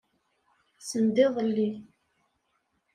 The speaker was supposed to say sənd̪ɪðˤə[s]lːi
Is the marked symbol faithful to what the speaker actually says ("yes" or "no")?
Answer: no